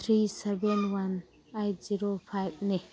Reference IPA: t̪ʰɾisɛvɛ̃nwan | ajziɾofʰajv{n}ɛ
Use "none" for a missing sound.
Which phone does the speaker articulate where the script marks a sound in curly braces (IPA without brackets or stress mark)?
n